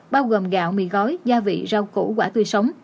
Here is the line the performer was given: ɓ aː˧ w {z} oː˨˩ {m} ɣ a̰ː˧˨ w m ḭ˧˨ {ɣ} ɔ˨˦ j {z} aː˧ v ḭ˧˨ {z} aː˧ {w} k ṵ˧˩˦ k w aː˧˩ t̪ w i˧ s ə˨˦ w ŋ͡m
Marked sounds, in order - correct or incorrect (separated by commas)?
incorrect, correct, correct, correct, correct, correct